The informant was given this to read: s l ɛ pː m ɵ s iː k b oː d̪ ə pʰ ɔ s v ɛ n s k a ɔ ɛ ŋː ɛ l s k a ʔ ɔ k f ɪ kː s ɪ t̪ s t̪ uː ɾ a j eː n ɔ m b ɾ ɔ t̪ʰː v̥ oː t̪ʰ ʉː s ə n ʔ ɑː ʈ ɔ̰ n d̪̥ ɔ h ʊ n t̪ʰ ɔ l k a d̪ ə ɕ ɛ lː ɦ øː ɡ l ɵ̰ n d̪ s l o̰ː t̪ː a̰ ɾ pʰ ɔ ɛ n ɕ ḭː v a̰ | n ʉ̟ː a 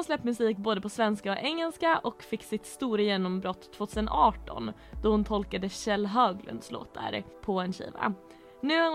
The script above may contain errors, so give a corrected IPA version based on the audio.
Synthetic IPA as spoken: s l ɛ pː m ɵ s iː k b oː d̪ ə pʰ ɔ s v ɛ n s k a ɔ ɛ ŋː ɛ l s k a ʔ ɔ k f ɪ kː s ɪ t̪ s t̪ uː ɾ a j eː n ɔ m b ɾ ɔ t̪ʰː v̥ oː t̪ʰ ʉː s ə n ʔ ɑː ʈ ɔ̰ n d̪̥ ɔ h ʊ n t̪ʰ ɔ l k a d̪ ə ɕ ɛ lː ɦ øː ɡ l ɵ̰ n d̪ s l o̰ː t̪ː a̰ ɾ pʰ ɔ ɛ n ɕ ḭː v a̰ | n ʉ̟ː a